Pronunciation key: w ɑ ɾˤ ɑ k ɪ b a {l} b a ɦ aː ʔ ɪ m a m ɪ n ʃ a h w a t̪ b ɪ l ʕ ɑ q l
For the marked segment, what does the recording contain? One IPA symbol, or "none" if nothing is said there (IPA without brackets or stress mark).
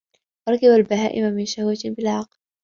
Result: l